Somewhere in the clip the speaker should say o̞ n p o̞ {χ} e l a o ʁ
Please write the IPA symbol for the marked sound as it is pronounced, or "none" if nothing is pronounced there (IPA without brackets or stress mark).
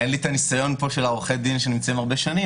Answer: ʃ